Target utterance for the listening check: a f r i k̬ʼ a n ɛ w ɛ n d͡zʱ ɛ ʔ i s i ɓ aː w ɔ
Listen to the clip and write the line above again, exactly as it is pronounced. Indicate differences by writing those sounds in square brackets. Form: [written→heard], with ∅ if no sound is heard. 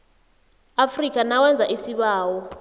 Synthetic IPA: a f r i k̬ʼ a n [ɛ→a] w ɛ n d͡zʱ [ɛ→a] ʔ i s i ɓ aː w ɔ